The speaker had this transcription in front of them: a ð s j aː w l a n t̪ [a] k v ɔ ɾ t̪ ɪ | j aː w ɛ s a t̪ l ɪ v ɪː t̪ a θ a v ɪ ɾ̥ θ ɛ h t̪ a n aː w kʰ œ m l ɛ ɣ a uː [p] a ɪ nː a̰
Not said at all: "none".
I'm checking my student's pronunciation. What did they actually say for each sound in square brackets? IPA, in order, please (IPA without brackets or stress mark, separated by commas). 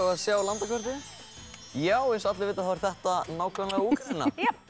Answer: a, k